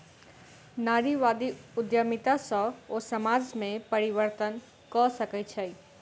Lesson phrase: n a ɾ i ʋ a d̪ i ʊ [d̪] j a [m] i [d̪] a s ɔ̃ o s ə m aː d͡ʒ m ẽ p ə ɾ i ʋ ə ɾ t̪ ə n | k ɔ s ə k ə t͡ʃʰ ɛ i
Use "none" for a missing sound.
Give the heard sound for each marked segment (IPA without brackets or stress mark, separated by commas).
d̪, m, t̪